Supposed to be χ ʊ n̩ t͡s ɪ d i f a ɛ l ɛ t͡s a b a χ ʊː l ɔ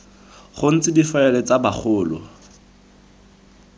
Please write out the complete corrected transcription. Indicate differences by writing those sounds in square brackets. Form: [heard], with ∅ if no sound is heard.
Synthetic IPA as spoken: χ ʊ n̩ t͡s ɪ d i f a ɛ l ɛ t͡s a b a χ ʊː l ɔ